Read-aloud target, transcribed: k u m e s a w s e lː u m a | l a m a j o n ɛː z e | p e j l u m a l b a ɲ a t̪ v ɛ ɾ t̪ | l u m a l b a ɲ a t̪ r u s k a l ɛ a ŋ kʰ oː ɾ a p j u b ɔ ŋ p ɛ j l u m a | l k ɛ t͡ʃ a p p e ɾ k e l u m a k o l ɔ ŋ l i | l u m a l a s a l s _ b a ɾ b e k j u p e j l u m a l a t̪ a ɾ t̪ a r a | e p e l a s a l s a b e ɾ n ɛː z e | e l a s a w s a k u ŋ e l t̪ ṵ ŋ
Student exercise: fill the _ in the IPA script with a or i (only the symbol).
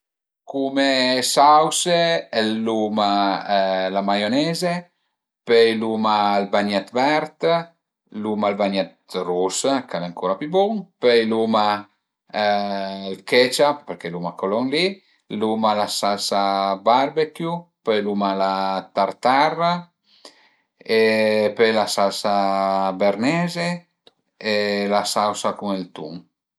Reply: a